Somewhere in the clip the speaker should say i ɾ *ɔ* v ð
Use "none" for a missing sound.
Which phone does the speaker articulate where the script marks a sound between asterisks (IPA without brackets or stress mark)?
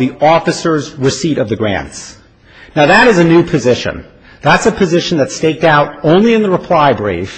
ʌ